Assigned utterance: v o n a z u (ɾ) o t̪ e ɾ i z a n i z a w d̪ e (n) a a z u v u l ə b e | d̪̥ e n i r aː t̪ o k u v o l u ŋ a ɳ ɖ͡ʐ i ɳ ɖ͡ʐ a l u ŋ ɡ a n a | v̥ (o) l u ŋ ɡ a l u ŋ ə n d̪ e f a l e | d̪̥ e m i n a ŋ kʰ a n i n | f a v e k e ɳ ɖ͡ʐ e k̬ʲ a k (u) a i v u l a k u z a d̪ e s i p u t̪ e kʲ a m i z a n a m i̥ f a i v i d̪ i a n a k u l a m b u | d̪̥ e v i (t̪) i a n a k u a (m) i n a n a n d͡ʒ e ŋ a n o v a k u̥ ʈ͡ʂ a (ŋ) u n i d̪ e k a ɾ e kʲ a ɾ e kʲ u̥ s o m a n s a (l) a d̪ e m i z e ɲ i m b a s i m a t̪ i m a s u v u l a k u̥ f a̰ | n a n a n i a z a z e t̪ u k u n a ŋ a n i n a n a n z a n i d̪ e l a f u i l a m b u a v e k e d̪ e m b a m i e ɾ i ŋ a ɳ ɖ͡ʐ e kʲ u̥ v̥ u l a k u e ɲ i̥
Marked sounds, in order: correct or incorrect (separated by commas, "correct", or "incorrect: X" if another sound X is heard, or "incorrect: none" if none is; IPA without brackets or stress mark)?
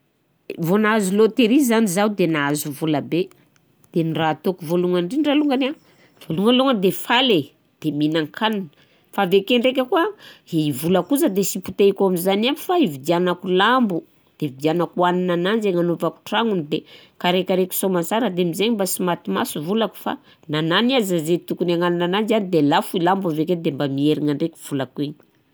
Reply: incorrect: l, correct, correct, correct, incorrect: d̪, incorrect: n, correct, incorrect: ɾ